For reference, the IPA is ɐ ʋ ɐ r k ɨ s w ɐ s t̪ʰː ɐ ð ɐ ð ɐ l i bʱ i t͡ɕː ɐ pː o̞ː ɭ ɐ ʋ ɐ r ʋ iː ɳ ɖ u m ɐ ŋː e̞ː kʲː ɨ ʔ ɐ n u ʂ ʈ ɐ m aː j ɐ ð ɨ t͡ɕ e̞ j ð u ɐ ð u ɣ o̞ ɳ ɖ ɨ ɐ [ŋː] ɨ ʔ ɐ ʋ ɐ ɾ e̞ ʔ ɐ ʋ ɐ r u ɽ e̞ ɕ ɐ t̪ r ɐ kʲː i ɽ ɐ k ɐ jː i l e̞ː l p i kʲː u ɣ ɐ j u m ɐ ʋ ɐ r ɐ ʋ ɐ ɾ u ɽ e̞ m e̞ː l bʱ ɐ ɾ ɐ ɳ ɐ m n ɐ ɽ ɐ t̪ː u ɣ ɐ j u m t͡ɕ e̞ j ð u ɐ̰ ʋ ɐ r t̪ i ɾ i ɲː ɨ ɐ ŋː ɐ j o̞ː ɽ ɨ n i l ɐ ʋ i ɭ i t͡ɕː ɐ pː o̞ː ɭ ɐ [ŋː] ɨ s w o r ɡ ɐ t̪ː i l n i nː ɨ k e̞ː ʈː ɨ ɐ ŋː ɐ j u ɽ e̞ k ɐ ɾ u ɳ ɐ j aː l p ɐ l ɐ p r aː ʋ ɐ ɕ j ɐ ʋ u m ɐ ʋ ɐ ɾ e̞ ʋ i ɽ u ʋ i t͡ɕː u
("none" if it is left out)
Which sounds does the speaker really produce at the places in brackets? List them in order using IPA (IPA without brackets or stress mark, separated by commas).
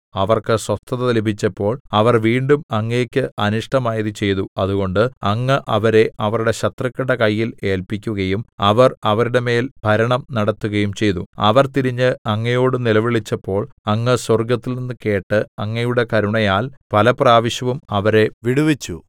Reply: ŋː, ŋː